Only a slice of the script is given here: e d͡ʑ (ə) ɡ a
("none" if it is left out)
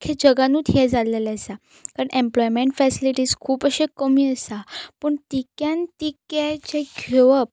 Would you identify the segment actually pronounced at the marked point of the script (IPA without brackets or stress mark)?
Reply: ə